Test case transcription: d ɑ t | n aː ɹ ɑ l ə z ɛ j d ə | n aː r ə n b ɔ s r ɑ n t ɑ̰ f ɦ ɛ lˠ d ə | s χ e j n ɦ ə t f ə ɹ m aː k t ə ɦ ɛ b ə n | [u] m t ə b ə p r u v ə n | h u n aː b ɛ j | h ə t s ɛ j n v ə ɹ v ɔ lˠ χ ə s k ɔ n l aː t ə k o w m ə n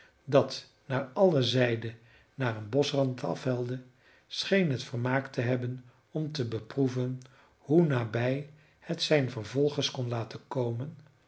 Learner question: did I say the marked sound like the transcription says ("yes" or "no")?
no